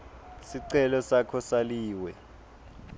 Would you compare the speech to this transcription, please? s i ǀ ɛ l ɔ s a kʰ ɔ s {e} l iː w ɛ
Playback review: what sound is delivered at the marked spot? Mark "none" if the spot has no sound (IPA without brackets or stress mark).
a